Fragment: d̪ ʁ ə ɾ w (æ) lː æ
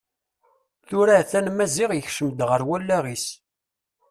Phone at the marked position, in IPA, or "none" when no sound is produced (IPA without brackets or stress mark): æ